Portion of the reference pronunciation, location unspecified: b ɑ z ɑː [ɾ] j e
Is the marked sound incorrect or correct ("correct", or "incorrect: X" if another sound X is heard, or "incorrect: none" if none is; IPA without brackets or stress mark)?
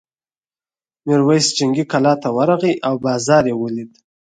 correct